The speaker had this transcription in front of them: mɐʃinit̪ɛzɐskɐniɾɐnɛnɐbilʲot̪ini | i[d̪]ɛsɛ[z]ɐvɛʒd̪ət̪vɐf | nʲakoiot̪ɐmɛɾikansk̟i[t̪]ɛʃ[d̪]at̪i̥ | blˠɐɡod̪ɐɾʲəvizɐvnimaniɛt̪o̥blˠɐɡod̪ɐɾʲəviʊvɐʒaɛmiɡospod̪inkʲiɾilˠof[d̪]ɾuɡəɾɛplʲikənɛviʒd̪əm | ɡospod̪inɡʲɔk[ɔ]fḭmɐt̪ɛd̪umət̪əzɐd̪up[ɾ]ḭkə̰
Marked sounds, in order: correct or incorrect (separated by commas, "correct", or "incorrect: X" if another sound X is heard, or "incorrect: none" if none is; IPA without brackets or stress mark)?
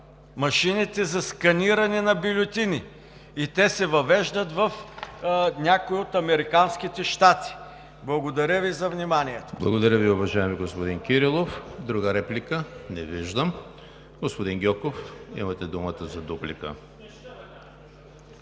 incorrect: t̪, incorrect: v, correct, incorrect: t̪, correct, incorrect: o, incorrect: l